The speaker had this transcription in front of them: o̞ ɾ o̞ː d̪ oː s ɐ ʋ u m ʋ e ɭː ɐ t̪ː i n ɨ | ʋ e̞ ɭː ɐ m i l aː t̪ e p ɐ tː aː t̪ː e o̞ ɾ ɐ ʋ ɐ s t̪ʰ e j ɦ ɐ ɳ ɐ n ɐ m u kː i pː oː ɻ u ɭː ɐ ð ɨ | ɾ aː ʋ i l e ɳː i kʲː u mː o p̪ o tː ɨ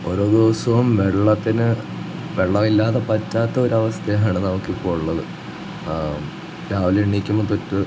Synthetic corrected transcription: o̞ ɾ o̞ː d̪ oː s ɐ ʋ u m ʋ e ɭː ɐ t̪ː i n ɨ | ʋ e̞ ɭː ɐ m i lː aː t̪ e p ɐ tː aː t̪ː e o̞ ɾ ɐ ʋ ɐ s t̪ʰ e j ɦ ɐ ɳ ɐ n ɐ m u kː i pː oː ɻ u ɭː ɐ ð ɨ | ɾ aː ʋ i l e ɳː i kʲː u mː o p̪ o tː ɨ